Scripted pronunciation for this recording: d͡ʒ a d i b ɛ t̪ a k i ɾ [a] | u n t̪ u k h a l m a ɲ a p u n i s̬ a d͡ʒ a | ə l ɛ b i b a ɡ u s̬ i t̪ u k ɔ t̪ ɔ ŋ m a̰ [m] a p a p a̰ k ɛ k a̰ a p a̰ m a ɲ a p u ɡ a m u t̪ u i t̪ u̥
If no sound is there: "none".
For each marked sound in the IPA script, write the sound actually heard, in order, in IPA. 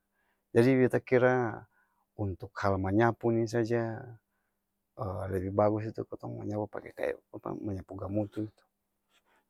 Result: a, ɲ

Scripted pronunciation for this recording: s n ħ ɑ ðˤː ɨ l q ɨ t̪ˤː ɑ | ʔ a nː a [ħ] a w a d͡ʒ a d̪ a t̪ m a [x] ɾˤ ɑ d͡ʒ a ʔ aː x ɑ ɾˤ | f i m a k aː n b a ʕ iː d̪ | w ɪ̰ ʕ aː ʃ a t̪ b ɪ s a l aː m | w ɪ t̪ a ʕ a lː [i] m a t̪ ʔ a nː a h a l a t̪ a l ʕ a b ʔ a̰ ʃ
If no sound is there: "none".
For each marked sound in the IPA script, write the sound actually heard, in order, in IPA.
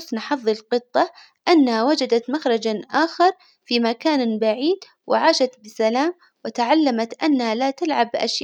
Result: h, x, a

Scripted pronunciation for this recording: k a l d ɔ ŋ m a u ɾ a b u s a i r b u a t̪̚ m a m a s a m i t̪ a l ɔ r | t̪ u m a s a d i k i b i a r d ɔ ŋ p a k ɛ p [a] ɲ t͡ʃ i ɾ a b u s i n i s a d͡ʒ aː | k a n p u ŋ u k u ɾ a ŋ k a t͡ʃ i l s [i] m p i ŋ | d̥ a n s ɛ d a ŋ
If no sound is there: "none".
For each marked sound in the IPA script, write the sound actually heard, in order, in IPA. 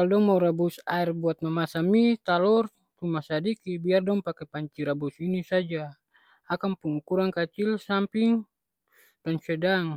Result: a, a

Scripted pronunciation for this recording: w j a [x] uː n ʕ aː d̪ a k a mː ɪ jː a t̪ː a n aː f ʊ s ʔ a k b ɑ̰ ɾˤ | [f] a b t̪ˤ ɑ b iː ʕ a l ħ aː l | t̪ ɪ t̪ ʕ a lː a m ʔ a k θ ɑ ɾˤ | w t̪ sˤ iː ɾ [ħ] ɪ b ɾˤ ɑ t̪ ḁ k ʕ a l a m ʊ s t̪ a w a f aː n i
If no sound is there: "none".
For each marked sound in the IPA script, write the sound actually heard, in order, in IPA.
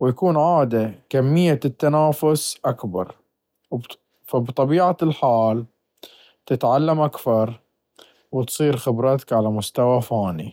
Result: k, f, x

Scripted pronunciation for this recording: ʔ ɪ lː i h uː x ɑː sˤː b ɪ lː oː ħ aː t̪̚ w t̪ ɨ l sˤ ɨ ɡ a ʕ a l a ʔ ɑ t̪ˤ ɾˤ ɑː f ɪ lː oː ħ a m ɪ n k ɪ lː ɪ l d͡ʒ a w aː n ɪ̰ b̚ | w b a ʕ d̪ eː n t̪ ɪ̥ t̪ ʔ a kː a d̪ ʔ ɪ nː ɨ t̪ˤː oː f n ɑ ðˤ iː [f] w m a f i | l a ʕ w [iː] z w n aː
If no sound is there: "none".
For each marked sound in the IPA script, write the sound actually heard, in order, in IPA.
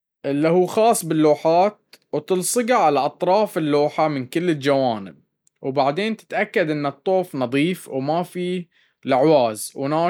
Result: f, aː

